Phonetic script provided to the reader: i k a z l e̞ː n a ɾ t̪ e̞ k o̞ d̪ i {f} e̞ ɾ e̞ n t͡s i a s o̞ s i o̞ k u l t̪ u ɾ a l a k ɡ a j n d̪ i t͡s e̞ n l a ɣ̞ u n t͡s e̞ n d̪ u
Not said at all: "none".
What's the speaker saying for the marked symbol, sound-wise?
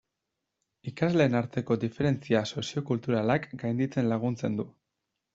f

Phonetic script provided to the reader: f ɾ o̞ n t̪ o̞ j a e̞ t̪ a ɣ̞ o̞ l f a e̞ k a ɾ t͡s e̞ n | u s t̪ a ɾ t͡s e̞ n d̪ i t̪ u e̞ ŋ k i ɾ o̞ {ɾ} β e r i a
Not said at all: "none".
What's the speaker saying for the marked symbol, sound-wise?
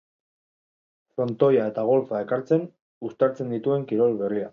l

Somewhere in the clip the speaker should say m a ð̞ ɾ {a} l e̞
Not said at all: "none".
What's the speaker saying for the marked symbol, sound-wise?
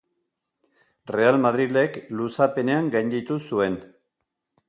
i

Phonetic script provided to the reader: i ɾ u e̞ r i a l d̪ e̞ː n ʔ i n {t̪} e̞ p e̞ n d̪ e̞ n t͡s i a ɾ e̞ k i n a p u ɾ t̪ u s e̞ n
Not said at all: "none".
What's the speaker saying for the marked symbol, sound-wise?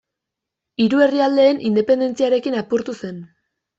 d̪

